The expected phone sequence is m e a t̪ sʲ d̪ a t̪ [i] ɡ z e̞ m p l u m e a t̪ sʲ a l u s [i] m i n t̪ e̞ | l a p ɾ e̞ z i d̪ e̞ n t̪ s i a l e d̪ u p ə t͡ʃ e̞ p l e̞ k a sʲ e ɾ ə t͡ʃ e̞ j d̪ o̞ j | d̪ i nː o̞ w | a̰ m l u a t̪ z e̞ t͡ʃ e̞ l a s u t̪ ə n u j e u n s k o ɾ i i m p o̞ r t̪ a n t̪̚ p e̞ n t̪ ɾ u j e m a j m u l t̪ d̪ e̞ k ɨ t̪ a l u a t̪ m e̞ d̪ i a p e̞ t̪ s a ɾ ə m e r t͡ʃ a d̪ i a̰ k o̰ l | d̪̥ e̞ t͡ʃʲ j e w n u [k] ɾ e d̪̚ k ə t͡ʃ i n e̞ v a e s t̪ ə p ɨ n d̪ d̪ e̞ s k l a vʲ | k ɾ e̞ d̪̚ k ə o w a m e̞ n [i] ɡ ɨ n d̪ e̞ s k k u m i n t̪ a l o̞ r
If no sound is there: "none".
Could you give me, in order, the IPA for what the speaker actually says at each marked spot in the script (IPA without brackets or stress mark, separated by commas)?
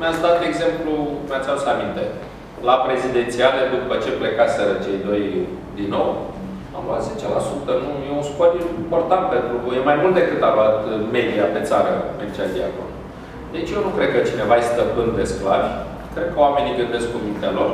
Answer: e, a, k, i